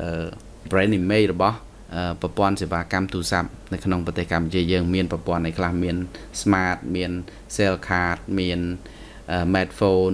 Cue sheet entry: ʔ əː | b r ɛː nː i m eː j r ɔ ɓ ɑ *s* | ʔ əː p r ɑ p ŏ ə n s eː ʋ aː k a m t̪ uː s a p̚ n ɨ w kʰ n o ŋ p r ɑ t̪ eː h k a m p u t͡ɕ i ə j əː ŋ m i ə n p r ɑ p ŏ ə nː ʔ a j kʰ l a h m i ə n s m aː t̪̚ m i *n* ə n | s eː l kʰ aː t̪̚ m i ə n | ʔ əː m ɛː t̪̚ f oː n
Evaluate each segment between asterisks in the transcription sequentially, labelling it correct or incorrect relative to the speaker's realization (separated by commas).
incorrect, incorrect